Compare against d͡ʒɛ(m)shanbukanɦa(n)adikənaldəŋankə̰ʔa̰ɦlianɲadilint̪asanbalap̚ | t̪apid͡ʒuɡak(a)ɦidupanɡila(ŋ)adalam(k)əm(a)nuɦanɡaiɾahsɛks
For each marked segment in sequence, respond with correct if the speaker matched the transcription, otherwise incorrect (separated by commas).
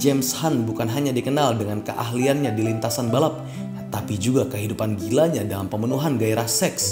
correct, incorrect, incorrect, incorrect, incorrect, incorrect